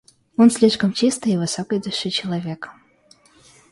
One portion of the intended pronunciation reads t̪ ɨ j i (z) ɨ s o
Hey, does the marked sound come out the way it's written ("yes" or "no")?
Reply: no